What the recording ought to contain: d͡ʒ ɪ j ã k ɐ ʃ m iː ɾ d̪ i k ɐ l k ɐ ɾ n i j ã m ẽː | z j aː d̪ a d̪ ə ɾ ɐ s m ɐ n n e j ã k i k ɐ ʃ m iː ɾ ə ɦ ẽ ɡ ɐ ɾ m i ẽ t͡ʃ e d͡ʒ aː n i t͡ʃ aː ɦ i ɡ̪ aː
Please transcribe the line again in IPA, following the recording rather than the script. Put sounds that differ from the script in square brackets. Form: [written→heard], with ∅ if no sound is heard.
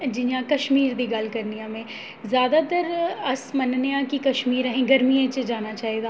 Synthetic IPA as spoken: d͡ʒ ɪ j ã k ɐ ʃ m iː ɾ d̪ i [k→ɡ] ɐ l k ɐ ɾ n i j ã m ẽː | z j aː d̪ a [d̪→t̪] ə ɾ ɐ s m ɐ n n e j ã k i k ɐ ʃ m iː ɾ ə ɦ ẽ ɡ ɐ ɾ m i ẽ t͡ʃ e d͡ʒ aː n [i→a] t͡ʃ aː ɦ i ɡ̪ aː